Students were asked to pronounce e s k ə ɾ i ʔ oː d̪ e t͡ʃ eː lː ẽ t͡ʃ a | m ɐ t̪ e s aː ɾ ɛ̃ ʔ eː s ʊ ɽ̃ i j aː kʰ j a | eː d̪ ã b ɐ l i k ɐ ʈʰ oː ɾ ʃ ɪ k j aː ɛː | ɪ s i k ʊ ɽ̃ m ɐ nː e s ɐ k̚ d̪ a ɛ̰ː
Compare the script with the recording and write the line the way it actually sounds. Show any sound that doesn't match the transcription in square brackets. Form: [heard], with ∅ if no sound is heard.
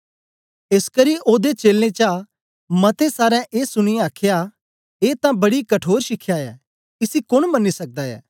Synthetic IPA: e s k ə ɾ i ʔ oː d̪ e t͡ʃ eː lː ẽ t͡ʃ a | m ɐ t̪ e s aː ɾ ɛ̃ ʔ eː s ʊ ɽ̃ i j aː kʰ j a | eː [t̪] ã b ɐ [ɽ] i k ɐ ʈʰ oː ɾ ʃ ɪ [kʰ] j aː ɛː | ɪ s i k ʊ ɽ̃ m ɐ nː [i] s ɐ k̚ d̪ a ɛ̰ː